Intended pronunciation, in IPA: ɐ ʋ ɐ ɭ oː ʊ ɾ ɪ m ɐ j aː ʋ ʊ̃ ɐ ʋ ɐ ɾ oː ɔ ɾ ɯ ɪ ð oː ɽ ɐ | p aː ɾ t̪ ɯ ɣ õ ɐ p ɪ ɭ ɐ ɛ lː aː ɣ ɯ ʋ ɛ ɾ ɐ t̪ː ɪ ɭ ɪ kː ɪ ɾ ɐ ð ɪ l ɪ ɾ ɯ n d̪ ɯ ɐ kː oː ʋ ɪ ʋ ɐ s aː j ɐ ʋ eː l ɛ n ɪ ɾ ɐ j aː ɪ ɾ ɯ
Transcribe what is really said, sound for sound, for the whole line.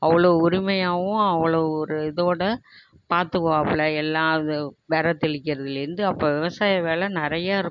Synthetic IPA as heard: ɐ ʋ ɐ ɭ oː ʊ ɾ ɪ m ɐ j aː ʋ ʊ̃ ɐ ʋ ɐ ɭ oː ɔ ɾ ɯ ɪ ð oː ɽ ɐ | p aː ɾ t̪ ɯ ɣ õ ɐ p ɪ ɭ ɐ ɛ lː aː ð ɯ ʋ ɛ ɾ ɐ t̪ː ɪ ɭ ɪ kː ɪ ɾ ɐ ð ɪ l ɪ ɾ ɯ n d̪ ɯ ɐ pː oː ʋ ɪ ʋ ɐ s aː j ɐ ʋ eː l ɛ n ɪ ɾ ɐ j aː ɪ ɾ ɯ